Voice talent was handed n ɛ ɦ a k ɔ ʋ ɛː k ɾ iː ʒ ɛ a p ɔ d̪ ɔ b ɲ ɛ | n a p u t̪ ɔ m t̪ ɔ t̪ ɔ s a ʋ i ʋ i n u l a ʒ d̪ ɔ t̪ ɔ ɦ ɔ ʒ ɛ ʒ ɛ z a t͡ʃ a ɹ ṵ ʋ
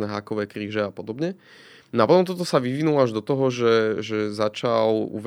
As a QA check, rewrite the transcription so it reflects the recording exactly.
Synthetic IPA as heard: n ɛ ɦ a k ɔ ʋ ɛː k ɾ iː ʒ ɛ a p ɔ d̪ ɔ b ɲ ɛ | n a p ɔ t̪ ɔ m t̪ ɔ t̪ ɔ s a ʋ i ʋ i n u l a ʒ d̪ ɔ t̪ ɔ ɦ ɔ ʒ ɛ ʒ ɛ z a t͡ʃ a l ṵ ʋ